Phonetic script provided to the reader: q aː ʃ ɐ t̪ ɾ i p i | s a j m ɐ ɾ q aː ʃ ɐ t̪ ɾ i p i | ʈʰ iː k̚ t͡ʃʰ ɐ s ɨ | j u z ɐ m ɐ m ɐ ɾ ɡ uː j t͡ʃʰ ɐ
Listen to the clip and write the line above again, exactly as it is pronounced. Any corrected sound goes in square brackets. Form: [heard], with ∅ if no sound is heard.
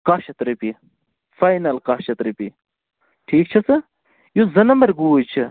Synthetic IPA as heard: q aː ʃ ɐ t̪ ɾ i p i | [f] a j [n] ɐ [l] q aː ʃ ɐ t̪ ɾ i p i | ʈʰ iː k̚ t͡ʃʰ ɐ s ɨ | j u z ɐ [n] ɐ m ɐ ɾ ɡ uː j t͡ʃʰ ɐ